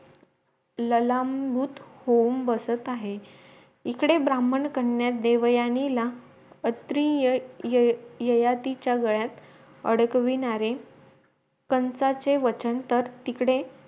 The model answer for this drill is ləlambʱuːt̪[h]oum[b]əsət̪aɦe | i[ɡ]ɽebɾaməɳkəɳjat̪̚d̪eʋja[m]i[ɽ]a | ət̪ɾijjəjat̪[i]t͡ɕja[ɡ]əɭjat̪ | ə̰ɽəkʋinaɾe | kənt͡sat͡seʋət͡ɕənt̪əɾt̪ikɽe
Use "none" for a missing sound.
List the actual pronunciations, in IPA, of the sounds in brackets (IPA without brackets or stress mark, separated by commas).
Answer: h, b, k, n, l, i, ɡ